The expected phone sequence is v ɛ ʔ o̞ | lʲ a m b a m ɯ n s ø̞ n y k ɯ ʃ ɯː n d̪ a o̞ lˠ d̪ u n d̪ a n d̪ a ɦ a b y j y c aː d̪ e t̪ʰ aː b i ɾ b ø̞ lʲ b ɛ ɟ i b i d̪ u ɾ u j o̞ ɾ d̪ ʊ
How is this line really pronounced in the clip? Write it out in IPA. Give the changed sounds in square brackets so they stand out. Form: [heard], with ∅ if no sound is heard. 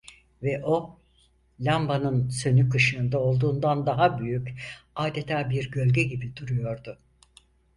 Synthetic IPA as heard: v ɛ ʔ o̞ | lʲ a m b a [n] ɯ n s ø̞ n y k ɯ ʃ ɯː n d̪ a o̞ lˠ d̪ [uː] n d̪ a n d̪ a ɦ a b y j y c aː d̪ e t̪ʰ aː b i ɾ [ɟ] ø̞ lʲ [ɟ] ɛ ɟ i b i d̪ u ɾ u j o̞ ɾ d̪ ʊ

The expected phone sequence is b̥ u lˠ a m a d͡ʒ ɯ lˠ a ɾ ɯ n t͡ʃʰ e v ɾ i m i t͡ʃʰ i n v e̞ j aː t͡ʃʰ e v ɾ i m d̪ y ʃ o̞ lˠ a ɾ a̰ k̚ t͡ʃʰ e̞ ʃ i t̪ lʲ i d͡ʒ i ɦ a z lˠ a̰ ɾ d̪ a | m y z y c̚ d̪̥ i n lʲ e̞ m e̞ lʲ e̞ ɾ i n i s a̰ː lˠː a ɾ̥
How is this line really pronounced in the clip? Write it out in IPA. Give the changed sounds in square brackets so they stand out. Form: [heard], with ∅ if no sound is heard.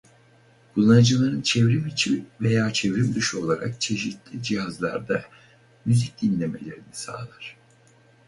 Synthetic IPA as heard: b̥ u lˠ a [n] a d͡ʒ ɯ lˠ a ɾ ɯ n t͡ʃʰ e v ɾ i m i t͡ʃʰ i [m] v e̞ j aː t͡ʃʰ e v ɾ i m d̪ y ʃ o̞ lˠ a ɾ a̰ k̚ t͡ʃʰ e̞ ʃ i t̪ lʲ i d͡ʒ i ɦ a z lˠ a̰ ɾ d̪ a | m y z [i] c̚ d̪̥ i n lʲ e̞ m e̞ lʲ e̞ ɾ i n i s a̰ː [lˠ] a ɾ̥

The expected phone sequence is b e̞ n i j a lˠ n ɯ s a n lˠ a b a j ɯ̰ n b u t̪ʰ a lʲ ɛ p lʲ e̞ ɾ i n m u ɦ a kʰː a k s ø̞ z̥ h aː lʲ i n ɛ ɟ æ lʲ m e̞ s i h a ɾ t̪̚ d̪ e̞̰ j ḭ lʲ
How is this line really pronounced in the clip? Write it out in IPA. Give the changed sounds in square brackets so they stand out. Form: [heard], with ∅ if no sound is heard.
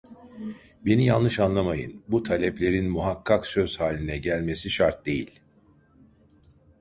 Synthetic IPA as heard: b e̞ n i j a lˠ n ɯ [ʃ] a n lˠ a [m] a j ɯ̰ n b u t̪ʰ a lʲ ɛ p lʲ e̞ ɾ i n m u ɦ a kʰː a k s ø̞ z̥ h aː lʲ i n ɛ ɟ æ lʲ m e̞ s i [ʃ] a ɾ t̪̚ d̪ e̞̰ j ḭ lʲ

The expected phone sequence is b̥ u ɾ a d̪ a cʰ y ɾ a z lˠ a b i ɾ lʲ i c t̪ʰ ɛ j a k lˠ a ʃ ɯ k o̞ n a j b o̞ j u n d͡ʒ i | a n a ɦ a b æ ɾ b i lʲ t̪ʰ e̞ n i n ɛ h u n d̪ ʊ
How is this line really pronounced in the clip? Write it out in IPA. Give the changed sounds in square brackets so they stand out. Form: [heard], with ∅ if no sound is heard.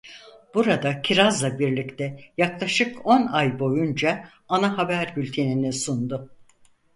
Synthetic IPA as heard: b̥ u ɾ a d̪ a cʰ [i] ɾ a z lˠ a b i ɾ lʲ i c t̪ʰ ɛ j a k lˠ a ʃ ɯ k o̞ n a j b o̞ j u n d͡ʒ [a] | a n a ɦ a b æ ɾ b [y] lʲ t̪ʰ e̞ n i n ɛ [s] u n d̪ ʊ

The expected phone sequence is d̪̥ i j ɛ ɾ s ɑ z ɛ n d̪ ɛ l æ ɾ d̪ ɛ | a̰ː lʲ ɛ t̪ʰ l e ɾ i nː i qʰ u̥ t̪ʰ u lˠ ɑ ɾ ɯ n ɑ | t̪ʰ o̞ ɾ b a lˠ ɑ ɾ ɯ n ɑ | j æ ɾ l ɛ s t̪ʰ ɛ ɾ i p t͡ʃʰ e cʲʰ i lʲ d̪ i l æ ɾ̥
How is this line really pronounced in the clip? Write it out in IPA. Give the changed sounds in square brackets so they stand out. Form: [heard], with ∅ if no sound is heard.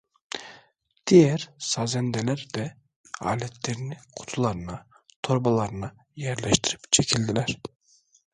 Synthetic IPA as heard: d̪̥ i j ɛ ɾ s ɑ z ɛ n d̪ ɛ l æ ɾ d̪ ɛ | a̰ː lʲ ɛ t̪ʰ l e ɾ i [n] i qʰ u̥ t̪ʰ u lˠ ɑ ɾ ɯ n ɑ | t̪ʰ o̞ ɾ b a lˠ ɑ ɾ ɯ n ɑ | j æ ɾ l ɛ [ʃ] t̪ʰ [i] ɾ i p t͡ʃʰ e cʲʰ i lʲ d̪ i l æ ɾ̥

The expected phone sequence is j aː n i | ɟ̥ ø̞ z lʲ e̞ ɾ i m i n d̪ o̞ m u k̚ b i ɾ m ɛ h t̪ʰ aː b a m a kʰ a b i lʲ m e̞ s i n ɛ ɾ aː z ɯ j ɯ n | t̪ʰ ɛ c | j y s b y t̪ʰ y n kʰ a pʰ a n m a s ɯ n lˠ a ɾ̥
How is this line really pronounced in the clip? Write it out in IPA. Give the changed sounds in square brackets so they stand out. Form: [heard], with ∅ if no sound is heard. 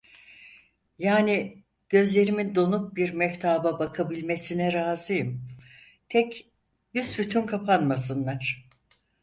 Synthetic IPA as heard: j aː n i | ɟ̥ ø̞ z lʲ e̞ ɾ i m i n d̪ o̞ [n] u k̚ b i ɾ m ɛ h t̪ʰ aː b a [b] a kʰ a b i lʲ m e̞ s i n ɛ ɾ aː z ɯ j ɯ [m] | t̪ʰ ɛ c | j y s b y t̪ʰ y n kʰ a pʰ a n m a s ɯ n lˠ a ɾ̥

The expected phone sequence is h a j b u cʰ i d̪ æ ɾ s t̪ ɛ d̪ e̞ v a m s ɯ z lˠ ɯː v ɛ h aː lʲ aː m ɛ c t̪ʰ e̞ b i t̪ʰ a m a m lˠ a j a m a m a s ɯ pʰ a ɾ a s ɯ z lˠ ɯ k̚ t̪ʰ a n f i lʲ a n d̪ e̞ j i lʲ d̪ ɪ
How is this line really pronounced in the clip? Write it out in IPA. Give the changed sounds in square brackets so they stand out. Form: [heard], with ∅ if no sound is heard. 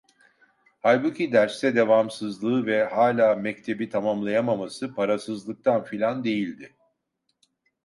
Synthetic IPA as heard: h a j b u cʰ i d̪ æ ɾ s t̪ ɛ d̪ e̞ v a m s ɯ z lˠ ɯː v ɛ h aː lʲ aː m ɛ c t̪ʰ e̞ b i t̪ʰ a m a m lˠ a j a m a m a s ɯ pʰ a ɾ a s ɯ z lˠ ɯ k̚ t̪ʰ a n f i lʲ a n d̪ e̞ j i lʲ d̪ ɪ

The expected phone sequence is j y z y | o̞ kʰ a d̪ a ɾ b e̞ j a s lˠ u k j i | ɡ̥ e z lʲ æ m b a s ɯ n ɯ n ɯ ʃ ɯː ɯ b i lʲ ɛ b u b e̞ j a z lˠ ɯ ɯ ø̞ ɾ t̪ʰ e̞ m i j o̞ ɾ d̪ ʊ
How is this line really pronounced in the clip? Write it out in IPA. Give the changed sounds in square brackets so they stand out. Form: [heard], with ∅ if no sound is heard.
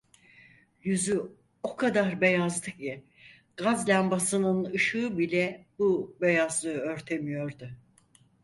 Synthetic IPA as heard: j y z y | o̞ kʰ a d̪ a ɾ b e̞ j a [z] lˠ [ɯ] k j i | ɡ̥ [a] z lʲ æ m b a s ɯ n ɯ n ɯ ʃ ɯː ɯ b i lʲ ɛ b u b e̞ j a z lˠ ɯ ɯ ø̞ ɾ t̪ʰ e̞ m i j o̞ ɾ d̪ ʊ

